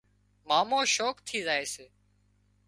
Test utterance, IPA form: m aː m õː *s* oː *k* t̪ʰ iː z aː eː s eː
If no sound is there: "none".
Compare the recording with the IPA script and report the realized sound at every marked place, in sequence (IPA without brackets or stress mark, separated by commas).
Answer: ʃ, k